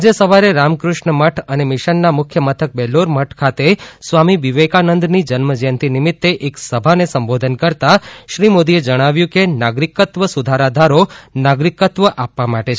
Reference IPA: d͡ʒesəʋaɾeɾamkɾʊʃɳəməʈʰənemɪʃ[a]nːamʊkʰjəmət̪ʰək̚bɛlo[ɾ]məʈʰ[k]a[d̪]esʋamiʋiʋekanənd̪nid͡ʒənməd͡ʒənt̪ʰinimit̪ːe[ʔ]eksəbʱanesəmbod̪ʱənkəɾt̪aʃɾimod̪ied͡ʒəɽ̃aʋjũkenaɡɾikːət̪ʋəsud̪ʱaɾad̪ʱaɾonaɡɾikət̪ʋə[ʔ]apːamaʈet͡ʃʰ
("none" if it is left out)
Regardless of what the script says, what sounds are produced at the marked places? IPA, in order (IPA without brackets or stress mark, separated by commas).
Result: ə, ɾ, kʰ, t̪, ʔ, ʔ